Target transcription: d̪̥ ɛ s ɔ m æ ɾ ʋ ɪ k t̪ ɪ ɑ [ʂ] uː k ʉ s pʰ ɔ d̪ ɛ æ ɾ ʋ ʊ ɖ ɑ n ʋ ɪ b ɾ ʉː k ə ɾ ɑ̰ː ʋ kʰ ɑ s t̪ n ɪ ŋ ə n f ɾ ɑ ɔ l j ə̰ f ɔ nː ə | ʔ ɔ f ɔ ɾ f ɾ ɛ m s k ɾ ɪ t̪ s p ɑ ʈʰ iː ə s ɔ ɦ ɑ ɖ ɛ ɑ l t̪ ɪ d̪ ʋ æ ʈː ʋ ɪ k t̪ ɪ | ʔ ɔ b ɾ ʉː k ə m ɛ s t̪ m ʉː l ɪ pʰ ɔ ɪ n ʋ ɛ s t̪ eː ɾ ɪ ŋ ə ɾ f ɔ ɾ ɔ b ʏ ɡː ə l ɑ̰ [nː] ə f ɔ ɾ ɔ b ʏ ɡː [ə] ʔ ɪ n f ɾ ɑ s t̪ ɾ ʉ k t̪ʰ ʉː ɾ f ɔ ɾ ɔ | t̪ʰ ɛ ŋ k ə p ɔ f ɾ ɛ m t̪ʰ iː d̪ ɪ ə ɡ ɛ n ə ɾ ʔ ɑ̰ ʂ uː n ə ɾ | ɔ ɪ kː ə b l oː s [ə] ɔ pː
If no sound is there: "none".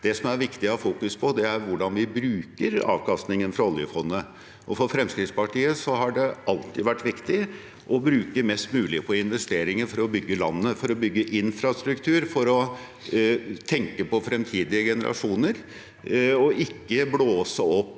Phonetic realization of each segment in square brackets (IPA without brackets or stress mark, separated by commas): f, nː, ə, ə